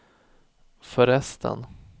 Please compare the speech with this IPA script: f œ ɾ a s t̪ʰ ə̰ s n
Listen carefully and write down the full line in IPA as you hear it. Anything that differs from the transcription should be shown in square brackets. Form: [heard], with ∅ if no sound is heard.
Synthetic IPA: f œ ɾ [ɛ] s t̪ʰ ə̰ [∅] n